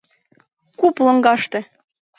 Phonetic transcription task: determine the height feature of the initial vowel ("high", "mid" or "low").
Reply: high